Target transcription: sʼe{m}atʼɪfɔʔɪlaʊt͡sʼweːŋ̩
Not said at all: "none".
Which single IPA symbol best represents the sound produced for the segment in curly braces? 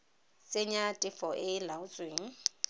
ɲ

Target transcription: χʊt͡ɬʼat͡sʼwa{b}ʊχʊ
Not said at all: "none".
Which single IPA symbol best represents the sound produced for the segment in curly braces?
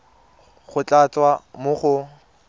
m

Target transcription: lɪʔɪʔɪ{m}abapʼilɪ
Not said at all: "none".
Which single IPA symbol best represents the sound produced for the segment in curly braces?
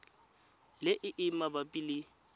m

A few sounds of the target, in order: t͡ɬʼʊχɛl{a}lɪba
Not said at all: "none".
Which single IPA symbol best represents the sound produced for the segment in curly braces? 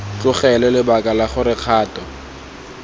ɛ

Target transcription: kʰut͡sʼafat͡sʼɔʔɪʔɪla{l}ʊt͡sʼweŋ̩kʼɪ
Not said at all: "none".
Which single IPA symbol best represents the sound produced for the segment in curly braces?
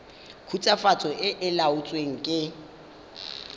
none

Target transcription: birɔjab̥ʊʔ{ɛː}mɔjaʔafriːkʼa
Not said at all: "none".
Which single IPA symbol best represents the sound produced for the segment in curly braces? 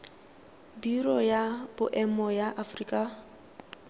ɛ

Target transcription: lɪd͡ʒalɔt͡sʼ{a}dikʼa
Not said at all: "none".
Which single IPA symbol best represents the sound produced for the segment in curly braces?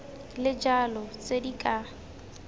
e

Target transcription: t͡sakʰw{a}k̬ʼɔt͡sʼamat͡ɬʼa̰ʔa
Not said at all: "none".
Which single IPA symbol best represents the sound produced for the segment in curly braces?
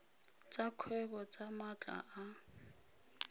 ɛ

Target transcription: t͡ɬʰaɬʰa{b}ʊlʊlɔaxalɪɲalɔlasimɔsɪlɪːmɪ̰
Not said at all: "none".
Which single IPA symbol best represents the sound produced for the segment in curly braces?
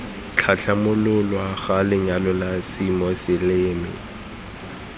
m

